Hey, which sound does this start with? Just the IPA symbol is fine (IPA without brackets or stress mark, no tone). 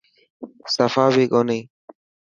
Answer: s